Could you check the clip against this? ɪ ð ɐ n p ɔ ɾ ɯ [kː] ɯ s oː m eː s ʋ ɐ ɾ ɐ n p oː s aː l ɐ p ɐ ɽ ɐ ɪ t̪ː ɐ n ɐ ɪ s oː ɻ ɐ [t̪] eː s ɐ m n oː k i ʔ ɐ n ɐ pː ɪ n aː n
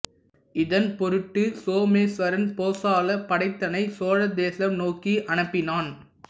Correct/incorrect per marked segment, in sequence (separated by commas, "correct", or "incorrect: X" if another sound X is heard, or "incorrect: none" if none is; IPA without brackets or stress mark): incorrect: ʈː, incorrect: d̪